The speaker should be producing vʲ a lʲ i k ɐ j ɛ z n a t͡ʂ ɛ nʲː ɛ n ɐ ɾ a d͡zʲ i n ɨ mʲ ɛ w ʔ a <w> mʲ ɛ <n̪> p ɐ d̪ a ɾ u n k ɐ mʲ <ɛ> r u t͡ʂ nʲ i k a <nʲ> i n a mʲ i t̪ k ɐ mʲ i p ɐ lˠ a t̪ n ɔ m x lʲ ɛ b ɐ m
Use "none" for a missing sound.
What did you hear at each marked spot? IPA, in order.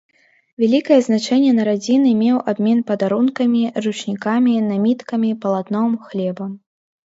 b, n̪, i, mʲ

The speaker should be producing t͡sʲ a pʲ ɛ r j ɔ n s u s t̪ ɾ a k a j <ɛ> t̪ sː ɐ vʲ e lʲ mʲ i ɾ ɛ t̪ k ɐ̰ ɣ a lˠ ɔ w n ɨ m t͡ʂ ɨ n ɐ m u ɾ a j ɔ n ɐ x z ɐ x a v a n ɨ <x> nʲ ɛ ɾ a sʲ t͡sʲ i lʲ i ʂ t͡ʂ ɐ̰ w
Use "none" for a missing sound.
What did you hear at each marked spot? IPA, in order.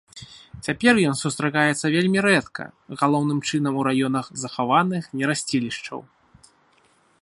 ɛ, x

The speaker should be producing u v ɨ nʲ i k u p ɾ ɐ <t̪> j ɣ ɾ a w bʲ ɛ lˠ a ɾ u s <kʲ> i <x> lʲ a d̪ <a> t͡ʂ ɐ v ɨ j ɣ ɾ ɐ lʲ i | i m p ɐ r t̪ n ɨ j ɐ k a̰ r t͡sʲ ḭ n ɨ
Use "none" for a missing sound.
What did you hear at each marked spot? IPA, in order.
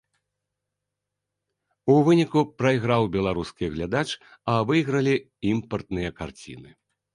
none, kʲ, ɣ, a

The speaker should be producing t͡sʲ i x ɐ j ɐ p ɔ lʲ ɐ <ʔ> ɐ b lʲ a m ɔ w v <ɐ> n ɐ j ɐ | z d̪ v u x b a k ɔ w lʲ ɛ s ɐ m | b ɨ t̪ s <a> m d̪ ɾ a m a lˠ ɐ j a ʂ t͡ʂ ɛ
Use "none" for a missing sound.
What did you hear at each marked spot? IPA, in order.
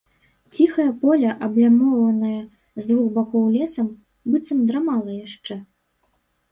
ʔ, ɐ, ɐ

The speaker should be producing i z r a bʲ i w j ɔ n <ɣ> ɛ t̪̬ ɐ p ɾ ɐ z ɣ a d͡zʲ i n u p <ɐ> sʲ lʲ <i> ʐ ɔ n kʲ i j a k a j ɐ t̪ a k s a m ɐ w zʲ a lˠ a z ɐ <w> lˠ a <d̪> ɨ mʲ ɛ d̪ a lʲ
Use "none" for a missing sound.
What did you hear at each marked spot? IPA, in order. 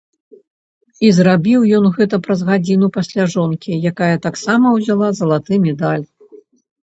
ɣ, a, a, none, t̪

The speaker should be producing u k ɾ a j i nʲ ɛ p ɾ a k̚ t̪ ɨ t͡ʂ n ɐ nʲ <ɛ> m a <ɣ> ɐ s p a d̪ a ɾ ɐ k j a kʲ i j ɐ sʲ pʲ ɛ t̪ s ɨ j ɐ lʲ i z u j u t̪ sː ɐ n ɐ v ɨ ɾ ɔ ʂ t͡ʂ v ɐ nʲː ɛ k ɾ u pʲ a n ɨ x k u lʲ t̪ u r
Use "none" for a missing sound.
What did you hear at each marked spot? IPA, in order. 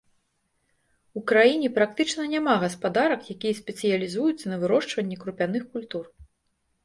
a, ɣ

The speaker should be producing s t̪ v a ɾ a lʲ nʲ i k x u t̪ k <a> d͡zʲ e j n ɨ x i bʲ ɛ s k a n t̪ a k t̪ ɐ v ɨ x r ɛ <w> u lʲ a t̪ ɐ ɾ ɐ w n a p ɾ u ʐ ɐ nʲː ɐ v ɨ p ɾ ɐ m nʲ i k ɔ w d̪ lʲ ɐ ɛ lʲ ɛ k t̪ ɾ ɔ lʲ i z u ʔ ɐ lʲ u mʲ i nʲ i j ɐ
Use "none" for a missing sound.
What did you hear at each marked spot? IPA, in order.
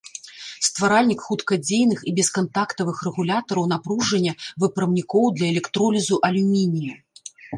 ɐ, ɣ

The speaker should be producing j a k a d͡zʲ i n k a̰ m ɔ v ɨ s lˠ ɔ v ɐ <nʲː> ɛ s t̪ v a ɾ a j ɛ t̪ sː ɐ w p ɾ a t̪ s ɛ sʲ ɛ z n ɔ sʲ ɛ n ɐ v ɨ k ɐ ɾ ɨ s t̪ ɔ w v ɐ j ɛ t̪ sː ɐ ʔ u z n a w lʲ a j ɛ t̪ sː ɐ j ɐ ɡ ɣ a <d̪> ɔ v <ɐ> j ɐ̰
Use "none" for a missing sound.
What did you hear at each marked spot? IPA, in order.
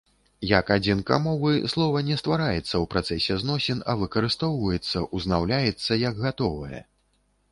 nʲ, t̪, ɐ

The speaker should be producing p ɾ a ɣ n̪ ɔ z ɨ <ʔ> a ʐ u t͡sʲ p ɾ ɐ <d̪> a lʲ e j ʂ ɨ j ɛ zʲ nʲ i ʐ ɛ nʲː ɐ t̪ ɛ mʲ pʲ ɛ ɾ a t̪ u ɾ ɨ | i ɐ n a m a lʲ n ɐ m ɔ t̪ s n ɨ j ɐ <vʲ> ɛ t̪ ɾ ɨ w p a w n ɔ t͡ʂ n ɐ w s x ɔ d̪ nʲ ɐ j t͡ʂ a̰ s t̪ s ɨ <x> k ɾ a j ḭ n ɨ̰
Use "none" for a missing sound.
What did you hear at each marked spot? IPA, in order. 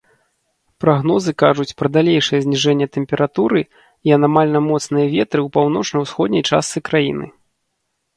k, d̪, vʲ, none

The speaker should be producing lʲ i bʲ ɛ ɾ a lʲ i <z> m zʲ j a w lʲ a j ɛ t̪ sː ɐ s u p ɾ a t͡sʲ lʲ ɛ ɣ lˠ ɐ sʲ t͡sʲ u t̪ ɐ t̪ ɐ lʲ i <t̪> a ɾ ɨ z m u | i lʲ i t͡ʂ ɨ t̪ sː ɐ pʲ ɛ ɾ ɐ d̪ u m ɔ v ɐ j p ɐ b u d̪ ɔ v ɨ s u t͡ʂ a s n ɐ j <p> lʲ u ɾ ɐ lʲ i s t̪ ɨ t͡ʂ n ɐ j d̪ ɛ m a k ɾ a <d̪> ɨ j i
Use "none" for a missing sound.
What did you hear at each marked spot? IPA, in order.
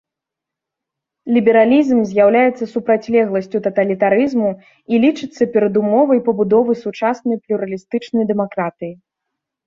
z, t̪, p, t̪

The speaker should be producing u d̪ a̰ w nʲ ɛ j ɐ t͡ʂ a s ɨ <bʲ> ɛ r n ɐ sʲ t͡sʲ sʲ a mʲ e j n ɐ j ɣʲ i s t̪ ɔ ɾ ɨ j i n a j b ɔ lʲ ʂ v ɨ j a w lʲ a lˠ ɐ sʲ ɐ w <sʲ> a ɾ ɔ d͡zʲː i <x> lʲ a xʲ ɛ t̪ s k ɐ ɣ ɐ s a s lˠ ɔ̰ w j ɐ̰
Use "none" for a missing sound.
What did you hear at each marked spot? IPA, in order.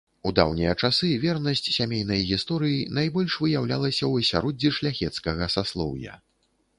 vʲ, sʲ, ʂ

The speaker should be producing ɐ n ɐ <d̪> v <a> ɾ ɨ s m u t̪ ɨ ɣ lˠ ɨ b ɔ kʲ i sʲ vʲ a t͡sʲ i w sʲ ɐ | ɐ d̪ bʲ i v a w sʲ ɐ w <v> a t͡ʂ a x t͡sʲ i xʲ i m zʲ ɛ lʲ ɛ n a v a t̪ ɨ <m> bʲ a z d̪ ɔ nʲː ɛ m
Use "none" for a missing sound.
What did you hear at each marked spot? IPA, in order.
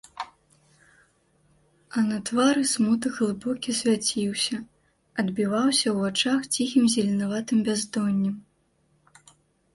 t̪, a, v, m

